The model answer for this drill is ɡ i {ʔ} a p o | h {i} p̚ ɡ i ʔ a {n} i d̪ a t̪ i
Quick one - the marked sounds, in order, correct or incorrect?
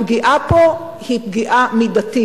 correct, correct, incorrect: m

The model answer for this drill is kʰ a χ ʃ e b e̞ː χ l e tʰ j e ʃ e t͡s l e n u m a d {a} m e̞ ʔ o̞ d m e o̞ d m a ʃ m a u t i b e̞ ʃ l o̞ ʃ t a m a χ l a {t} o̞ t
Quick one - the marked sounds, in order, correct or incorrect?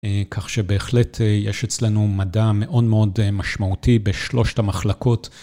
correct, incorrect: k

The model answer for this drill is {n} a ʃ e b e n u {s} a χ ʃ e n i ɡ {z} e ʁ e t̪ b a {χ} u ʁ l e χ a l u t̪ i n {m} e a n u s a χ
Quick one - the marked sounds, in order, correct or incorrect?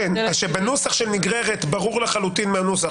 correct, correct, incorrect: ʁ, incorrect: ʁ, correct

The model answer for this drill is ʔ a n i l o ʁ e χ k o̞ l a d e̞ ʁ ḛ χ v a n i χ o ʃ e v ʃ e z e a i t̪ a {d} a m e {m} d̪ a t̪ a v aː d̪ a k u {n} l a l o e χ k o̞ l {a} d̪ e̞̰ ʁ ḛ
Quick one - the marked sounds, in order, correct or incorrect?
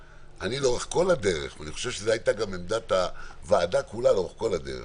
incorrect: ɡ, correct, incorrect: none, correct

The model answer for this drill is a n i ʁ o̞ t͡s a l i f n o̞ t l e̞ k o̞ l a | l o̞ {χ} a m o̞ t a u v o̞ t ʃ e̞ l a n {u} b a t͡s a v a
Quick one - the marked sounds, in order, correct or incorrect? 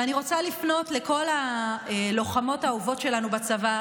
correct, correct

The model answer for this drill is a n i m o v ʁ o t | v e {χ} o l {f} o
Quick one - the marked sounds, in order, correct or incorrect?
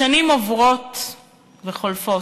correct, correct

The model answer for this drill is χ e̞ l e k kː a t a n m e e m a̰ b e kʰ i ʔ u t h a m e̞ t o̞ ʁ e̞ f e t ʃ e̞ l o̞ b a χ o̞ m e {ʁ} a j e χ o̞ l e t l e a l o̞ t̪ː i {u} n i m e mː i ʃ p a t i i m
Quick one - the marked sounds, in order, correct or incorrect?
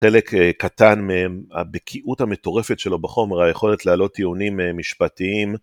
correct, correct

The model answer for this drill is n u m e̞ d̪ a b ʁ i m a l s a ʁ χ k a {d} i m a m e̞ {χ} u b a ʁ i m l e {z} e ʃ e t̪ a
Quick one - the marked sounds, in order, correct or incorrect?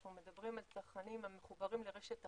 incorrect: n, correct, incorrect: ʁ

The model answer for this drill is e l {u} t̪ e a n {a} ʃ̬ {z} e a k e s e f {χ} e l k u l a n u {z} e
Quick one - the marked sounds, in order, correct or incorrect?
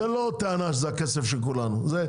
incorrect: o, correct, correct, incorrect: ʃ, correct

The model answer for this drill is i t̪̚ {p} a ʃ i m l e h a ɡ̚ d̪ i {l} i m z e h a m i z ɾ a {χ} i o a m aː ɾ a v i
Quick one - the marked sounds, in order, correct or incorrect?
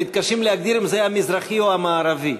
incorrect: k, incorrect: ɾ, correct

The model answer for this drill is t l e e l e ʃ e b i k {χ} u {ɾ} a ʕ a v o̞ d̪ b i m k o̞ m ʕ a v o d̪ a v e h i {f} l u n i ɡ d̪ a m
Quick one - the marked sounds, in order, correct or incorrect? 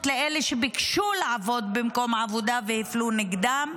incorrect: ʃ, incorrect: l, correct

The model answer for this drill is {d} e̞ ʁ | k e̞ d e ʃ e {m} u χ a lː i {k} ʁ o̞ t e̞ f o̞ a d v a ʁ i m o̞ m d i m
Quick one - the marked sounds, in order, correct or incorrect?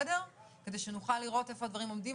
correct, incorrect: n, incorrect: none

